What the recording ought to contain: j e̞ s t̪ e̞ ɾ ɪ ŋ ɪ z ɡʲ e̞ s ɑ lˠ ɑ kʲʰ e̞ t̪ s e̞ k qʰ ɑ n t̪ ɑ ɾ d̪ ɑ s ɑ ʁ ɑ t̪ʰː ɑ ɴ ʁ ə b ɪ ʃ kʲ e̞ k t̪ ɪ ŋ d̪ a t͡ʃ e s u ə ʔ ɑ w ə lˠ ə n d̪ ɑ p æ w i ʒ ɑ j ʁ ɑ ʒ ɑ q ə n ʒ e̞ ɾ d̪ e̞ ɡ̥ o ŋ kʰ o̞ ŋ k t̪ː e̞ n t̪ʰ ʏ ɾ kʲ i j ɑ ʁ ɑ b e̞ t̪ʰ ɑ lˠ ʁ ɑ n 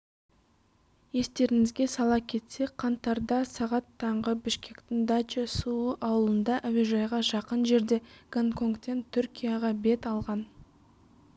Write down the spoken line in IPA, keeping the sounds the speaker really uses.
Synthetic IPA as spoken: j e̞ s t̪ e̞ ɾ ɪ ŋ ɪ z ɡʲ e̞ s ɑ lˠ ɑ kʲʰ e̞ t̪ s e̞ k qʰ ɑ n t̪ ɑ ɾ d̪ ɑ s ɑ ʁ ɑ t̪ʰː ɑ ɴ ʁ ə b ɪ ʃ kʲ e̞ k t̪ ɪ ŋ d̪ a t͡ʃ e s u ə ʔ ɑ w ə lˠ ə n d̪ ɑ ʔ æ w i ʒ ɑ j ʁ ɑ ʒ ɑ q ə n ʒ e̞ ɾ d̪ e̞ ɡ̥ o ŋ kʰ o̞ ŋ k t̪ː e̞ n t̪ʰ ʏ ɾ kʲ i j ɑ ʁ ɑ b e̞ t̪ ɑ lˠ ʁ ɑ n

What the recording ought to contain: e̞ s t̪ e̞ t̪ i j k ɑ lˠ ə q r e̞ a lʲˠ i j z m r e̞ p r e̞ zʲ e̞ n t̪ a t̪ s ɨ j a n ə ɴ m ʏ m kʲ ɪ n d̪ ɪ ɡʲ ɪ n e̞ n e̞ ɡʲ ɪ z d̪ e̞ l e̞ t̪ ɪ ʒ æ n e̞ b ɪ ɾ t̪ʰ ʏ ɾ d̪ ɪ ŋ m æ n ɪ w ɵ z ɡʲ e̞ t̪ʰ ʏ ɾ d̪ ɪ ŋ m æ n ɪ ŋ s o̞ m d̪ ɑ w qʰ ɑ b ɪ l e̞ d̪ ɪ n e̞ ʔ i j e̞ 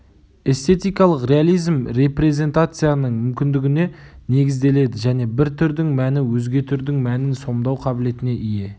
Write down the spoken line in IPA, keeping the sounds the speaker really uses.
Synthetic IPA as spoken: e̞ s t̪ e̞ t̪ i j k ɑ lˠ ə q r e̞ a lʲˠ i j z m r e̞ p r e̞ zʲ e̞ n t̪ a t̪ s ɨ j a n ə ɴ m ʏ m kʲ ɪ n d̪ ɪ ɡʲ ɪ n e̞ n e̞ ɡʲ ɪ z d̪ e̞ l e̞ d̪ ɪ ʒ æ n e̞ b ɪ ɾ t̪ʰ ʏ ɾ d̪ ɪ ŋ m æ n ɪ w ɵ z ɡʲ e̞ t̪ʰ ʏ ɾ d̪ ɪ ŋ m æ n ɪ n s o̞ m d̪ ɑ w qʰ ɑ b ɪ l e̞ t̪ ɪ n e̞ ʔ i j e̞

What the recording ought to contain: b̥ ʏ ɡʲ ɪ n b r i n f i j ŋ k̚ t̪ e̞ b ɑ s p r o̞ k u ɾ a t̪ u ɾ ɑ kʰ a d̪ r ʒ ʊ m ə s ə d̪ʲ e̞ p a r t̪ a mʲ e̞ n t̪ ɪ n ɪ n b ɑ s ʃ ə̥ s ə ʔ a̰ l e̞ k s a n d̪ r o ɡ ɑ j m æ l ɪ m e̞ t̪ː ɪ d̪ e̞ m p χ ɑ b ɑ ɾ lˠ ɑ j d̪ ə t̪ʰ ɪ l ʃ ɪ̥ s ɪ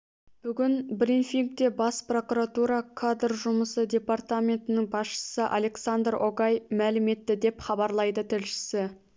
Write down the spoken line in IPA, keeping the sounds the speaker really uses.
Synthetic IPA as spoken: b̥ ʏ ɡʲ ɪ n b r i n f i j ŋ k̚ t̪ e̞ b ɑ s p r o̞ k u ɾ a t̪ u ɾ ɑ kʰ a d̪ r ʒ ʊ m ə s ə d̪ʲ e̞ p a r t̪ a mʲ e̞ n t̪ ɪ n ɪ ŋ b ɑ s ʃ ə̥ s ə ʔ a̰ l e̞ k s a n d̪ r o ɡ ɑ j m æ l ɪ m e̞ t̪ː ɪ d̪ e̞ p χ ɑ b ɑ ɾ lˠ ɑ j d̪ ə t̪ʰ ɪ l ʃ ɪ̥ s ɪ

